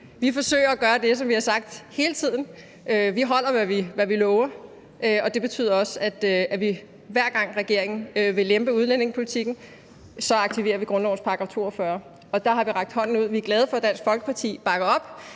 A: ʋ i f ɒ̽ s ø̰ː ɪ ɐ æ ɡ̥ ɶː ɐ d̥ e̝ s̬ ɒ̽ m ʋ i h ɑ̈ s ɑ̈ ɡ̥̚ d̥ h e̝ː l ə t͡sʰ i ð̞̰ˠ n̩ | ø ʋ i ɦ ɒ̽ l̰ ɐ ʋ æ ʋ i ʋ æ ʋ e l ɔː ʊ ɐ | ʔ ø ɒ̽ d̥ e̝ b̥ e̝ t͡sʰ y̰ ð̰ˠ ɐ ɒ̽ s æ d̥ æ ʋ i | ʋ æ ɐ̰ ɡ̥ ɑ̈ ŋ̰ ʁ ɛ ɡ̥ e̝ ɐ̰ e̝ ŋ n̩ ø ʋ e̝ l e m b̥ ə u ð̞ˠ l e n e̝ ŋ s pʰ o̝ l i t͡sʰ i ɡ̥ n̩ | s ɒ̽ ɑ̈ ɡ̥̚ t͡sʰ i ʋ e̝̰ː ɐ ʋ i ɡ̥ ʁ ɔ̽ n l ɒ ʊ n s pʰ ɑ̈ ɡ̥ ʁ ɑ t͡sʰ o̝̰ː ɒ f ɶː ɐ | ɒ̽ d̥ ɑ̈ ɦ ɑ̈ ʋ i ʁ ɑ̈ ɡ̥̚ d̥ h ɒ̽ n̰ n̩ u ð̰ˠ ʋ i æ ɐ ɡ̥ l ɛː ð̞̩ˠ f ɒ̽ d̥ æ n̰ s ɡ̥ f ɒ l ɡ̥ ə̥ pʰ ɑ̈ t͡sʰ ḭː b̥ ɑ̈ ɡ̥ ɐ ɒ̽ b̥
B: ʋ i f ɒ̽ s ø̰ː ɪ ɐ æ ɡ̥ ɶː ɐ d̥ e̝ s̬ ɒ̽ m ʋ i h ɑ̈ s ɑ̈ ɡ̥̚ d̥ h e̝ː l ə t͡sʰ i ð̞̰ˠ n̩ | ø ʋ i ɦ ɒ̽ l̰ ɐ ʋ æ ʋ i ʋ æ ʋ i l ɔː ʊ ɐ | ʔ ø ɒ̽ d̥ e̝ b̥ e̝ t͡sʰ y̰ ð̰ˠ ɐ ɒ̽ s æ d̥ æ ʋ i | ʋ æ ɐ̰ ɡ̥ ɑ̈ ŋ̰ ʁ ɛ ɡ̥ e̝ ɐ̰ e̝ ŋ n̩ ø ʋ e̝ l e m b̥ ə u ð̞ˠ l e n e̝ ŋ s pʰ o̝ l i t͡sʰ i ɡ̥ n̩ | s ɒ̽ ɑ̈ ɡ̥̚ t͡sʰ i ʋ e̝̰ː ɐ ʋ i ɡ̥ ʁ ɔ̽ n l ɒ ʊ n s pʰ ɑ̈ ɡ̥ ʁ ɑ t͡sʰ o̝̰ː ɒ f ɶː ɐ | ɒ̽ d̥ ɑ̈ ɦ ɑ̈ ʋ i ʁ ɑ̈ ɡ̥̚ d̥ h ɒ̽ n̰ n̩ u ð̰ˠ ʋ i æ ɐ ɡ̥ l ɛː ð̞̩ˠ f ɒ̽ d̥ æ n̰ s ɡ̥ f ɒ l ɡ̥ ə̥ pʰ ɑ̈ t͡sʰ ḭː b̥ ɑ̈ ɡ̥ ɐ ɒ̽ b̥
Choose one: B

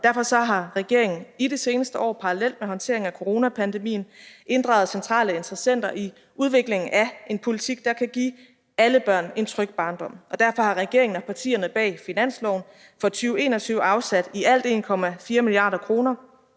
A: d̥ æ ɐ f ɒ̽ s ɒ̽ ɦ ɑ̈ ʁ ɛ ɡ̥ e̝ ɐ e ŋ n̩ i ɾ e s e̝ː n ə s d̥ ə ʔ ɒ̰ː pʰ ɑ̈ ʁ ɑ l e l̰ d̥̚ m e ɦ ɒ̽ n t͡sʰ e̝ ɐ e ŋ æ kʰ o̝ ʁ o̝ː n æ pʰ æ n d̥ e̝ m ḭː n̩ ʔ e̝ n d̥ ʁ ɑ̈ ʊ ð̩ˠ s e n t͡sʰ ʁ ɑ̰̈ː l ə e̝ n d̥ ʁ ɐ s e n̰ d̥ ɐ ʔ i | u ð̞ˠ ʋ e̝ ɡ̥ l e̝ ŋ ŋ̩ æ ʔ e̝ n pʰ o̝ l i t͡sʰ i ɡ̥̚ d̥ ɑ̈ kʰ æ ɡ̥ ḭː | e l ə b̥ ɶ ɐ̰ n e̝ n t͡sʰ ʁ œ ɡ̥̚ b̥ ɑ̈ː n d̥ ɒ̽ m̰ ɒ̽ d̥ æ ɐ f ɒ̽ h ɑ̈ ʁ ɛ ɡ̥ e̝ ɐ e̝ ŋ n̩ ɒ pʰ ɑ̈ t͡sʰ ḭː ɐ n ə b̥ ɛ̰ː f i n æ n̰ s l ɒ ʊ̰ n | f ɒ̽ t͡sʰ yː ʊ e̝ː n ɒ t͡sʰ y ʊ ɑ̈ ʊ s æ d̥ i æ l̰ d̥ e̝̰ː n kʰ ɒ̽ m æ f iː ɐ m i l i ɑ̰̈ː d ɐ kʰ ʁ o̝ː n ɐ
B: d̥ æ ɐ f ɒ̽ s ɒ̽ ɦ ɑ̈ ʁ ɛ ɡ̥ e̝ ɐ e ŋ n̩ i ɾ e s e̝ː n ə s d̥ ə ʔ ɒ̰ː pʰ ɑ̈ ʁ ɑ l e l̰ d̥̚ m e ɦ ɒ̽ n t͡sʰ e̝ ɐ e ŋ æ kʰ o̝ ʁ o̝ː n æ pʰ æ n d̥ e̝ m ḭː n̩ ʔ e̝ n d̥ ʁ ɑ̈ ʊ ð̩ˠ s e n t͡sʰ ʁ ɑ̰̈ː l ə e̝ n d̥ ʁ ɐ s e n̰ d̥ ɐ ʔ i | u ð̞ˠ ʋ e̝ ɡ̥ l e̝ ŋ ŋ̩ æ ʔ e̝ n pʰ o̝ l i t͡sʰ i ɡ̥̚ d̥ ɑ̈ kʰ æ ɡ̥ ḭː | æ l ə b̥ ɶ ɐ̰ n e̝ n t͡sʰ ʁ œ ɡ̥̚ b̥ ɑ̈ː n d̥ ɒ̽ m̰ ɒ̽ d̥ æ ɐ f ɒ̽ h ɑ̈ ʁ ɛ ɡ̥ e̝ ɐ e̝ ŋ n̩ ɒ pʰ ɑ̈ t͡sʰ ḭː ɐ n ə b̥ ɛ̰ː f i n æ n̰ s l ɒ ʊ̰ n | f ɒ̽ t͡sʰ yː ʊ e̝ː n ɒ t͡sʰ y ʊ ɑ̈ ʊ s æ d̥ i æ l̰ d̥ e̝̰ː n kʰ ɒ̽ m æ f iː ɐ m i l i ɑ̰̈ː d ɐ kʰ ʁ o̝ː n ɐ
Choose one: B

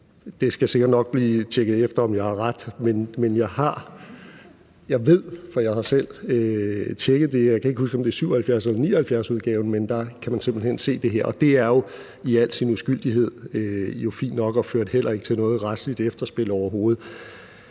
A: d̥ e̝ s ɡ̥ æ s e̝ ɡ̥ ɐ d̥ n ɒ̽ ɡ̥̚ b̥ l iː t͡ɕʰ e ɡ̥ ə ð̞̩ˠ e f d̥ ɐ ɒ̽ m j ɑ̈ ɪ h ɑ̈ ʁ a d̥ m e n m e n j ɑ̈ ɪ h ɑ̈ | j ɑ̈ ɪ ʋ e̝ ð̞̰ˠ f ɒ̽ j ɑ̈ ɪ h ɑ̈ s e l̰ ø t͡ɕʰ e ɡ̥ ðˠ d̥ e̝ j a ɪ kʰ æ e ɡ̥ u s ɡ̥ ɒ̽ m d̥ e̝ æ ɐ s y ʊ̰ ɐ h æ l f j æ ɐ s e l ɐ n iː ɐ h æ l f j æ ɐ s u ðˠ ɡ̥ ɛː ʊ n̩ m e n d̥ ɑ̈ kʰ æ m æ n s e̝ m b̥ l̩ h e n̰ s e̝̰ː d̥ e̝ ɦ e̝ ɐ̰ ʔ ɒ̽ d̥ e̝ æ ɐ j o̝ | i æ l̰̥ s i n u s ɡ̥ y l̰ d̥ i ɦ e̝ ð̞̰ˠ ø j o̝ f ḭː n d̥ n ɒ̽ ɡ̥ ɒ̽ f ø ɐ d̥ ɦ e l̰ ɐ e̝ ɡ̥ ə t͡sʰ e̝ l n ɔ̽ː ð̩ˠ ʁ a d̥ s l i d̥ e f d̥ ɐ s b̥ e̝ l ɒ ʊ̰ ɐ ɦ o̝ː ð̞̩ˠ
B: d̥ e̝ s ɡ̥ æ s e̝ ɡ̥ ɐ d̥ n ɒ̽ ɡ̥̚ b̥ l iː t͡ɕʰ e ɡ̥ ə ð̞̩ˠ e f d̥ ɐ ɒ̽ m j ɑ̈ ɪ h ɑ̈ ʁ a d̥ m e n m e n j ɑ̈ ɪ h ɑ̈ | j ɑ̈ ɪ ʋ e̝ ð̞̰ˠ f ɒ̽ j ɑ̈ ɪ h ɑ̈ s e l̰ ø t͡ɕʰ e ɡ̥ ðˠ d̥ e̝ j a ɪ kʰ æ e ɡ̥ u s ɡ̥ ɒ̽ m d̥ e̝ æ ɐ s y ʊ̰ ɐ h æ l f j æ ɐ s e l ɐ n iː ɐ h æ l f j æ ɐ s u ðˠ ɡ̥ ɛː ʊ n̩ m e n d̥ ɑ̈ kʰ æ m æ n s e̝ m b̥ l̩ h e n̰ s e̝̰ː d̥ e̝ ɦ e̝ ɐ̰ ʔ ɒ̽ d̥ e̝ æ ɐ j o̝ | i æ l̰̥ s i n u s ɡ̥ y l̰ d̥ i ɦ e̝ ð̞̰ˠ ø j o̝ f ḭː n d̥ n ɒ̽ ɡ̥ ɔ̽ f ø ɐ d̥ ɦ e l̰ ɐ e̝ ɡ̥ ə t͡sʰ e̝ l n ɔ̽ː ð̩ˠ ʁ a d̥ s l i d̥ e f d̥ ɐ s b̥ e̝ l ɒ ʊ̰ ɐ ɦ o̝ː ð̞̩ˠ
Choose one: A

